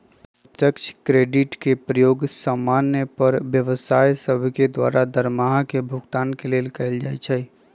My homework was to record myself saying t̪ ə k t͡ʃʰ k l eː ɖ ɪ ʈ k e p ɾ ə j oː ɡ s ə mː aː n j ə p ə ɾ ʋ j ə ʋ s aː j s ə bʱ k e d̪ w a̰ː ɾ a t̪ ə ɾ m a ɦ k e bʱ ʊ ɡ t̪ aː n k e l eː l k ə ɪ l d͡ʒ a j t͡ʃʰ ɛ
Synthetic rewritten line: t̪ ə k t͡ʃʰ k ɾ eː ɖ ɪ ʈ k e p ɾ ə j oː ɡ s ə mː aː n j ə p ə ɾ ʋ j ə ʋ s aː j s ə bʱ k e d̪ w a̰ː ɾ a d̪ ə ɾ m a ɦ k e bʱ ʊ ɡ t̪ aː n k e l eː l k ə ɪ l d͡ʒ a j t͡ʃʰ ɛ